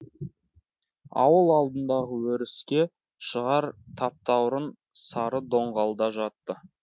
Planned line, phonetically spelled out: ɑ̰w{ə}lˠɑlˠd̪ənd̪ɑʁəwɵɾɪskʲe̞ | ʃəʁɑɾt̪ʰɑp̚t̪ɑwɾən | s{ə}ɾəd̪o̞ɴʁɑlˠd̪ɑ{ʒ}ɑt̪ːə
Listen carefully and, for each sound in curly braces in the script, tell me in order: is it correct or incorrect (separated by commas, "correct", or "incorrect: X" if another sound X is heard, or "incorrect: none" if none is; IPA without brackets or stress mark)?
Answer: correct, incorrect: ɑ, correct